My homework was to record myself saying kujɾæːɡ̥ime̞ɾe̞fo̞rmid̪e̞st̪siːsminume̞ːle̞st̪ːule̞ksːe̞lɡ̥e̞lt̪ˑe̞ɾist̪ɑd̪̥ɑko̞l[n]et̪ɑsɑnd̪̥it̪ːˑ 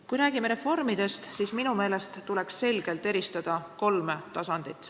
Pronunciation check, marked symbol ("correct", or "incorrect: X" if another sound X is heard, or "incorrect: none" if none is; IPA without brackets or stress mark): incorrect: m